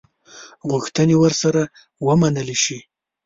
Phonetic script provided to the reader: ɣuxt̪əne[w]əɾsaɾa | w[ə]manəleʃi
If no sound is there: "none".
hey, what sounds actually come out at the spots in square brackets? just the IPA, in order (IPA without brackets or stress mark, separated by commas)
w, ə